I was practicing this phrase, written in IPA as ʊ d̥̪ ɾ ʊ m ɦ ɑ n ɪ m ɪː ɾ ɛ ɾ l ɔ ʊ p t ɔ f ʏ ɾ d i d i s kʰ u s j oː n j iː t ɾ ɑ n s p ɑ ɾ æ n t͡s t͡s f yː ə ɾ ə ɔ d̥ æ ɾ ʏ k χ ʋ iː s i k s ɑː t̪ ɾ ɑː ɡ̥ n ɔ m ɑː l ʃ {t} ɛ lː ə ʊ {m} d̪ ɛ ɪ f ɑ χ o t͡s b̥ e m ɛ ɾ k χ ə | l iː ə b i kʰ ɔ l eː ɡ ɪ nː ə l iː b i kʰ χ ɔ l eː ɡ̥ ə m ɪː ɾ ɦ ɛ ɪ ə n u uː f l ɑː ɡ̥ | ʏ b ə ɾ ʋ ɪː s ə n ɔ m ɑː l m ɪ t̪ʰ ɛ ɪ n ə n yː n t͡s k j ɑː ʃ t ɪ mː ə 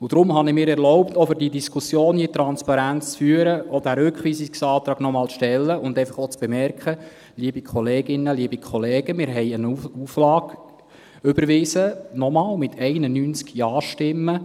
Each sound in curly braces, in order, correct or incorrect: correct, incorrect: n

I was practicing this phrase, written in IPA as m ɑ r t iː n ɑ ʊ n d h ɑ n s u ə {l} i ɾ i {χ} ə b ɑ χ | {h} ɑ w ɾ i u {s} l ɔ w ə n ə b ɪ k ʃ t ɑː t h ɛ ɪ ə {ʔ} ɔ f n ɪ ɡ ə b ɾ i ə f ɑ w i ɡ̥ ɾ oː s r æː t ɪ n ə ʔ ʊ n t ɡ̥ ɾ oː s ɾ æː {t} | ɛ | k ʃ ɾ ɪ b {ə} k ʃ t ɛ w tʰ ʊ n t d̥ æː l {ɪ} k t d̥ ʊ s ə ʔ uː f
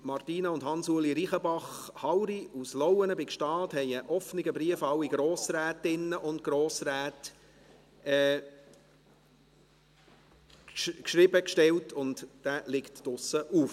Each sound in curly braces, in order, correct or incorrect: correct, correct, correct, correct, correct, correct, correct, correct

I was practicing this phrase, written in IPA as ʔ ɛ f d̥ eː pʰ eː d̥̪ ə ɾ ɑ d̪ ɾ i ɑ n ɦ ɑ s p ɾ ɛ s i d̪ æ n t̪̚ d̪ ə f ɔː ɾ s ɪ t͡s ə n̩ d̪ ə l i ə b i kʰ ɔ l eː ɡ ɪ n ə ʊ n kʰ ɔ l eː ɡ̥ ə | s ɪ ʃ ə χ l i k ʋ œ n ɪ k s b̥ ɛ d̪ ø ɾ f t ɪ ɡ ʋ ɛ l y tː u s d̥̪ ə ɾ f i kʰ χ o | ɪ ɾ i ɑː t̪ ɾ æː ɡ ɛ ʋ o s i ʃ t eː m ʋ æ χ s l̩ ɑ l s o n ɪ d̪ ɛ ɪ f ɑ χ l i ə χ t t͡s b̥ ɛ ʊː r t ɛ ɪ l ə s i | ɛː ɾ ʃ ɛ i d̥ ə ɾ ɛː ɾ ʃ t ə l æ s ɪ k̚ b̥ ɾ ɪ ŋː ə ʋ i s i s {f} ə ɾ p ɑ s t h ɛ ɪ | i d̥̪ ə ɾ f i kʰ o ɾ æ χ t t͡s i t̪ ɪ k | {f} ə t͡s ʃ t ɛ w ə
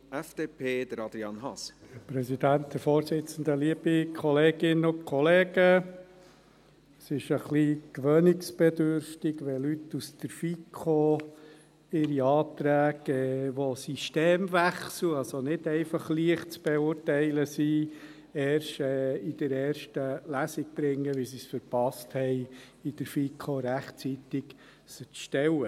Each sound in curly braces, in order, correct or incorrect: correct, incorrect: s

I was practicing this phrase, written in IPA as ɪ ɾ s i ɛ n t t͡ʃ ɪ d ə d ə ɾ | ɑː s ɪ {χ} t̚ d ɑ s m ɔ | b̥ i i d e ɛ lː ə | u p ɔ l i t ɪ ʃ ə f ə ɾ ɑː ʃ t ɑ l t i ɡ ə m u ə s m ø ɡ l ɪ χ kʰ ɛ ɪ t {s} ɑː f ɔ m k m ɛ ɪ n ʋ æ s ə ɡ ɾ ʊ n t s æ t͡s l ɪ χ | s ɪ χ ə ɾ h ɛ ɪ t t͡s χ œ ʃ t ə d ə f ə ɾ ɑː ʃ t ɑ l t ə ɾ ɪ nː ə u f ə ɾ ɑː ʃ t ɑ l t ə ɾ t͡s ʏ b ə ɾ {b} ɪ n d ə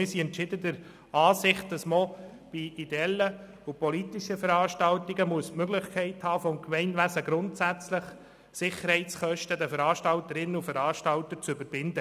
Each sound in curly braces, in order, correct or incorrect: correct, incorrect: h, correct

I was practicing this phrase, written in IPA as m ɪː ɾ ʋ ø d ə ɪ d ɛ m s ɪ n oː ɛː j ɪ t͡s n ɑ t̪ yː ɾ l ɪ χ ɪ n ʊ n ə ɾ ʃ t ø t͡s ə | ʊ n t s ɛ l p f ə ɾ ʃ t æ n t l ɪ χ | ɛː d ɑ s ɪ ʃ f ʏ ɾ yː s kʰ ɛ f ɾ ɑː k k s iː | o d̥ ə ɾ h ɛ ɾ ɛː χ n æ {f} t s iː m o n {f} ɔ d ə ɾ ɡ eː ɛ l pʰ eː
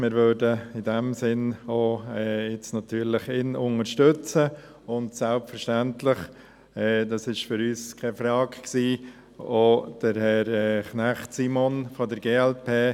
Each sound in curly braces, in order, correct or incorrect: incorrect: χ, correct

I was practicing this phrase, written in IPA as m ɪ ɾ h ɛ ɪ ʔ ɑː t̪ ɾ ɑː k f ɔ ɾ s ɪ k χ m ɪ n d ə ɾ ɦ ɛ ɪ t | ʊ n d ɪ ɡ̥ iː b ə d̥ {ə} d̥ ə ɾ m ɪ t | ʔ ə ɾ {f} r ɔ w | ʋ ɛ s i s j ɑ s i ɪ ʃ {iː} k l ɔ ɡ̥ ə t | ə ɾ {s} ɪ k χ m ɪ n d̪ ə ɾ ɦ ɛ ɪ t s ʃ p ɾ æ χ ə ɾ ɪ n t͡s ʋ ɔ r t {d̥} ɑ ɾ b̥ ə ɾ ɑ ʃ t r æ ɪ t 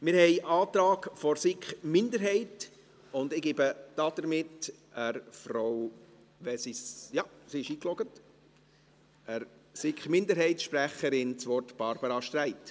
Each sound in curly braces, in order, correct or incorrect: incorrect: ɑ, correct, correct, correct, incorrect: b̥

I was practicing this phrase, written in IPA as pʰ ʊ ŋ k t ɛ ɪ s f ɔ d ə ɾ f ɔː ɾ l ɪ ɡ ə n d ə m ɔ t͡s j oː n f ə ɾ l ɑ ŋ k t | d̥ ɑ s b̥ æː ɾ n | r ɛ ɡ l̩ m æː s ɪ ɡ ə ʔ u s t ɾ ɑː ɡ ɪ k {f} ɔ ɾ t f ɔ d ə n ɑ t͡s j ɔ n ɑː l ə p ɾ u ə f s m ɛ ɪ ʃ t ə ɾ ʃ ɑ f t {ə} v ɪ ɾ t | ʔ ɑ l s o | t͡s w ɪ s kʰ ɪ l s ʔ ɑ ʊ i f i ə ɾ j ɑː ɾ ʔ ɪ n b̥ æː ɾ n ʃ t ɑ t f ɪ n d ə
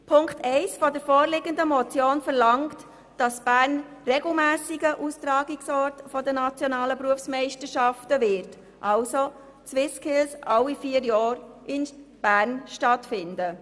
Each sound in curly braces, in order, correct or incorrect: incorrect: s, correct

